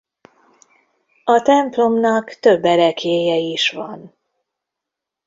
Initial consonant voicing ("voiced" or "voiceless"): voiceless